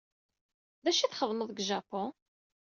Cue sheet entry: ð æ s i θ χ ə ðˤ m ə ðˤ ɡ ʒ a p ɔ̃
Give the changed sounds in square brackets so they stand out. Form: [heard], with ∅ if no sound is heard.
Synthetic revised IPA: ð æ [ʃ] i θ χ ə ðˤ m ə ðˤ ɡ ʒ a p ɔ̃